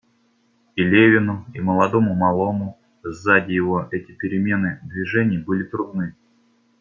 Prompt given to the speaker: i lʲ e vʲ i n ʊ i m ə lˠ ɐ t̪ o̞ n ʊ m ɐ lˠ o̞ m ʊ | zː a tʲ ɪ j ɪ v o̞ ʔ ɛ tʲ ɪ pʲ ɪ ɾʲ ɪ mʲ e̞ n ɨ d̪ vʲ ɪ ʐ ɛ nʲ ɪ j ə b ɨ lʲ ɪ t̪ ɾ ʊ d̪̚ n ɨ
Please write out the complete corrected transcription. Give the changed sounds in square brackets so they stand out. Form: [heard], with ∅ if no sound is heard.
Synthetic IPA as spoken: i lʲ e vʲ [ɪ] n ʊ i m ə lˠ ɐ [d̪] o̞ [m] ʊ m ɐ lˠ o̞ m ʊ | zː a [dʲ] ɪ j ɪ v o̞ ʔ ɛ tʲ ɪ pʲ ɪ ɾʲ ɪ mʲ e̞ n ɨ d̪ vʲ ɪ ʐ ɛ nʲ ɪ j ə b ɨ lʲ ɪ t̪ ɾ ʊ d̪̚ n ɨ

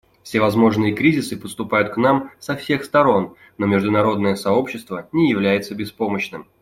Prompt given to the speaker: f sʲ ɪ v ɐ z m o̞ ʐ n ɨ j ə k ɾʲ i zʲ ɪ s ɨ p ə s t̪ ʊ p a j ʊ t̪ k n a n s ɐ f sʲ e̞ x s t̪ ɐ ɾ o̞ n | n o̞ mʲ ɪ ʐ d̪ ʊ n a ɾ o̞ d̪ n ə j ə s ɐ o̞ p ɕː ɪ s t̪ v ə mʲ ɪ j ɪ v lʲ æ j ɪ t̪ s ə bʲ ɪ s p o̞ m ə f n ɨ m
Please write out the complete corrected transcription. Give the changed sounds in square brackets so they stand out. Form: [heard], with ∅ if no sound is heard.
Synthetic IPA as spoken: f sʲ ɪ v ɐ z m o̞ ʐ n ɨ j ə k ɾʲ i zʲ ɪ s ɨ p ə s t̪ ʊ p a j ʊ t̪ k n a [m] s ɐ f sʲ e̞ x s t̪ ɐ ɾ o̞ n | n o̞ mʲ ɪ ʐ d̪ ʊ n [ɐ] ɾ o̞ d̪ n ə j ə s ɐ o̞ p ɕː ɪ s t̪ v ə [nʲ] ɪ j ɪ v lʲ æ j ɪ t̪ s ə bʲ ɪ s p o̞ m ə [ɕ] n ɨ m

